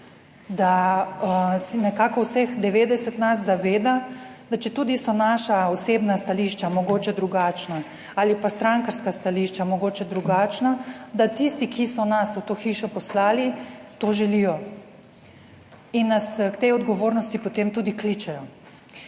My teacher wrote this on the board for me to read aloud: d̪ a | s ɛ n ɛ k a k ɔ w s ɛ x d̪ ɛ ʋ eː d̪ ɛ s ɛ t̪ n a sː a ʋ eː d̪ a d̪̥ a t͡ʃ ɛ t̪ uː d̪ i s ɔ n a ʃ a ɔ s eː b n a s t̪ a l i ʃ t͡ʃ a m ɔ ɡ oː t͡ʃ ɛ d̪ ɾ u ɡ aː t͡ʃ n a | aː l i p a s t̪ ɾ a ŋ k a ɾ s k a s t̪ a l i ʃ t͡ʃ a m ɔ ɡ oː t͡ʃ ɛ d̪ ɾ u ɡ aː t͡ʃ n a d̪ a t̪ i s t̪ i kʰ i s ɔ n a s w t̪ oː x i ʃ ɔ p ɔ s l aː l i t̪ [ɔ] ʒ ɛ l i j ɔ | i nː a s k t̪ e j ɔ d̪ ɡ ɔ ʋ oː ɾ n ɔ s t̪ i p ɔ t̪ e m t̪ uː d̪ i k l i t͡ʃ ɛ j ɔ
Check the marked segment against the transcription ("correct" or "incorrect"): incorrect